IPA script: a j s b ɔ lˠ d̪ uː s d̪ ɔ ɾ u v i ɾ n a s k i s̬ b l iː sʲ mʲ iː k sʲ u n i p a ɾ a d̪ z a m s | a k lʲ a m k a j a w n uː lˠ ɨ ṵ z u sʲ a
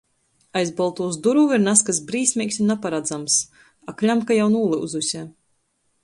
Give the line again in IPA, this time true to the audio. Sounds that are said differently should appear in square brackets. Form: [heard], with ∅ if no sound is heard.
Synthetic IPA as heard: a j [z] b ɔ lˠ [t̪] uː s d̪ [u] ɾ u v i ɾ n a s k [a] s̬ b [ɾ] iː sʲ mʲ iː k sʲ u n [a] p a ɾ a d̪ z a m s | a k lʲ a m k a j a w n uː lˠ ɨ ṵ z u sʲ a